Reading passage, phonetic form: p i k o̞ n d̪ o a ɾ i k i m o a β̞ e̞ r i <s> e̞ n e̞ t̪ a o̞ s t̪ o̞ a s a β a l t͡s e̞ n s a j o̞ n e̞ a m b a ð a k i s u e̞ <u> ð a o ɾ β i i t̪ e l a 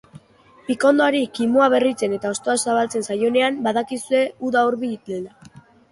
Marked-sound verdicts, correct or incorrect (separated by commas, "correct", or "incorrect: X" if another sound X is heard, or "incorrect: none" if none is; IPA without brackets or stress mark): incorrect: t͡s, correct